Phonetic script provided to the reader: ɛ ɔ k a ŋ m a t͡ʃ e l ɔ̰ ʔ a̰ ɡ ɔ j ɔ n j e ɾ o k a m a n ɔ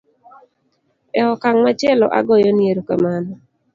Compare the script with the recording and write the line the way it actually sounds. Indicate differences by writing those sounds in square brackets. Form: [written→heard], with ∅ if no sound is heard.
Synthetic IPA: ɛ ɔ k a ŋ m a t͡ʃ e l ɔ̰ ʔ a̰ ɡ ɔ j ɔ n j e ɾ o k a m a n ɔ